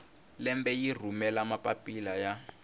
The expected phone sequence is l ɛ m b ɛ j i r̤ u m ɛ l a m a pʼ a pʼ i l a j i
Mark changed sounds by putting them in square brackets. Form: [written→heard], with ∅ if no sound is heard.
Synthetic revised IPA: l ɛ m b ɛ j i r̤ u m ɛ l a m a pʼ a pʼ i l a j [i→a]